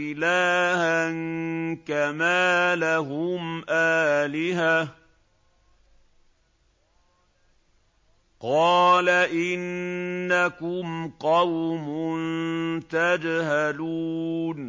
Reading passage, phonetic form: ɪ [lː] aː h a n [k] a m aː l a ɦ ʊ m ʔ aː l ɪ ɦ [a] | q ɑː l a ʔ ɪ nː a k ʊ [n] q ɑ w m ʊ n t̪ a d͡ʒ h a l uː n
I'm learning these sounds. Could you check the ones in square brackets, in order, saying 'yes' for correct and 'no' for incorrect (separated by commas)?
no, yes, yes, no